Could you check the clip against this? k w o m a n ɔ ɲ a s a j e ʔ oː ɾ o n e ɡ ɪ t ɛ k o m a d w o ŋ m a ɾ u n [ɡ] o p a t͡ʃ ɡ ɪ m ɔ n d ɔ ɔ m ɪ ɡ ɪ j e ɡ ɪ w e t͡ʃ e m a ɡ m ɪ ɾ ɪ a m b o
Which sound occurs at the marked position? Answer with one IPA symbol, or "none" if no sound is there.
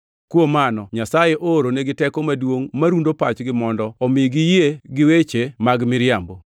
d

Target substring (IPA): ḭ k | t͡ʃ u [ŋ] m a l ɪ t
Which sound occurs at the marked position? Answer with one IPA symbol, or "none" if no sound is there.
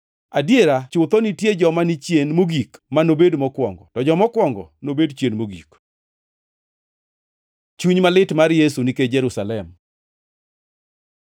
ɲ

